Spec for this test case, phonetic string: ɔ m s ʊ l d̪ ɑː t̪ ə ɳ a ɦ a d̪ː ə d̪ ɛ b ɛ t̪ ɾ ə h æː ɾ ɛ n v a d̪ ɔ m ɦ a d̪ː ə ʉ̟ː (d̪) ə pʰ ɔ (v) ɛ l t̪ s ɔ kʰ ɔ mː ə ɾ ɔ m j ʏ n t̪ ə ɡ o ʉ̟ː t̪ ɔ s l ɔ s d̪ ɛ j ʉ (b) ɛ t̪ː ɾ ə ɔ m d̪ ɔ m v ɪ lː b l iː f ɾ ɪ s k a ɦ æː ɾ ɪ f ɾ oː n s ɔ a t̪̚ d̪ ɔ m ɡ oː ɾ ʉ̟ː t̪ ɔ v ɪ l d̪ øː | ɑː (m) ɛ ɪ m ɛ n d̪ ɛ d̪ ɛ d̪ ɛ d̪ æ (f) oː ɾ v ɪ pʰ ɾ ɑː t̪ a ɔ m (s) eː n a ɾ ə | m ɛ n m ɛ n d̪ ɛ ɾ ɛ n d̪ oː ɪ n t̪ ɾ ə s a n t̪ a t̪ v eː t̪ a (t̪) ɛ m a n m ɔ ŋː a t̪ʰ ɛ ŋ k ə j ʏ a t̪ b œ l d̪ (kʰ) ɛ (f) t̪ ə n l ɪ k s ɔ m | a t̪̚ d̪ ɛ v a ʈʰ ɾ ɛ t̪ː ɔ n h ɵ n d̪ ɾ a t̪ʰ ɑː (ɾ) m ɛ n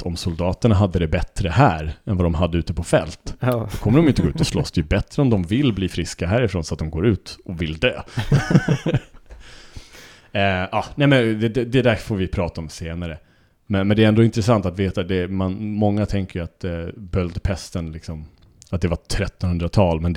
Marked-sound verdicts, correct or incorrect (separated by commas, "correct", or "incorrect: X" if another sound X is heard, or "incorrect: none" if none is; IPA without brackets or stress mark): incorrect: t̪, incorrect: f, correct, incorrect: n, correct, correct, incorrect: d̪, incorrect: pʰ, incorrect: s, incorrect: l